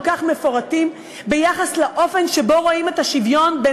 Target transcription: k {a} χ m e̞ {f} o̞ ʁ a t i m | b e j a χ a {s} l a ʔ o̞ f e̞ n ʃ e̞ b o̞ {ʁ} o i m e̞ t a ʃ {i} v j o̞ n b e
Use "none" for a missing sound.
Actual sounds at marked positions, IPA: a, f, s, ʁ, i

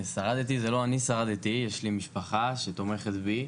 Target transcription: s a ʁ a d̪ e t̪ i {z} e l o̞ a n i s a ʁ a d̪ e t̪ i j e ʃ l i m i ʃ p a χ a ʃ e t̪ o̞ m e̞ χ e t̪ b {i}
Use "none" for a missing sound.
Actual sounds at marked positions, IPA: z, i

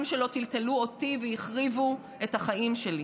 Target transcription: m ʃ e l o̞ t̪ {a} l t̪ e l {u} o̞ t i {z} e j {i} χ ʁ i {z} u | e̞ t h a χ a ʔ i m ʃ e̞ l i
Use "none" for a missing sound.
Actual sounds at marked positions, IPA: i, u, v, i, v

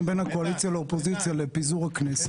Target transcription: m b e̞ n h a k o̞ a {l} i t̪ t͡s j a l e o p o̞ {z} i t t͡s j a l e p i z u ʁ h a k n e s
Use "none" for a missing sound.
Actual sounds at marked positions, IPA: l, z

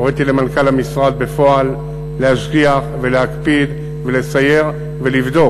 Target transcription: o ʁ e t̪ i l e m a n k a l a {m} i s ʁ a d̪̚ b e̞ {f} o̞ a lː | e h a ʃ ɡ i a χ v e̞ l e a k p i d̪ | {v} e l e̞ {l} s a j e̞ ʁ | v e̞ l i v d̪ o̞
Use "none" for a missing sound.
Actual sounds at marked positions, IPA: m, f, v, none

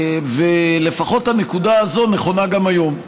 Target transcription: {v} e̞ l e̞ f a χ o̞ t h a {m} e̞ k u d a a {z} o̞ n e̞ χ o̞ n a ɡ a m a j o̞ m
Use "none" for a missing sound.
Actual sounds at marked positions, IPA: v, n, z

